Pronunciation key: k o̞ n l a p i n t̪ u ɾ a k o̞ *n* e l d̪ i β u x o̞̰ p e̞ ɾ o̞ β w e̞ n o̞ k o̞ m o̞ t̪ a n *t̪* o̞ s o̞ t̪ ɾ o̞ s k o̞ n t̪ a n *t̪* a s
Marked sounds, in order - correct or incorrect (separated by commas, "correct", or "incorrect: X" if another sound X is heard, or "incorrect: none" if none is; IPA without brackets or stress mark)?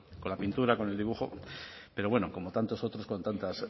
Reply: correct, correct, correct